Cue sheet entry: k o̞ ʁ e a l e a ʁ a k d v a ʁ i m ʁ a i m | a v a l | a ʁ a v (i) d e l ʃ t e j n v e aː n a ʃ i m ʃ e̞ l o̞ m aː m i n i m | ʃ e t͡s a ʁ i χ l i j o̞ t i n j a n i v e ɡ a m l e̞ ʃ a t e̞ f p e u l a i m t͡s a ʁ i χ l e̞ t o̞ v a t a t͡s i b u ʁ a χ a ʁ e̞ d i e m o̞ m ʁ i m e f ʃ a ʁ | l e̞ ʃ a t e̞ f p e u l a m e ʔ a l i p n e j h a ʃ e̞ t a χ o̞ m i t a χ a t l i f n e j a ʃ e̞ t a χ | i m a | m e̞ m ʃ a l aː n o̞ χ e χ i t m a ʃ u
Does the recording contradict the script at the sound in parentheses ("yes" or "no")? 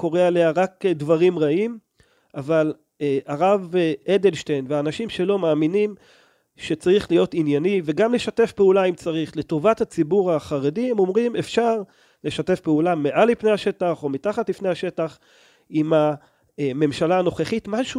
yes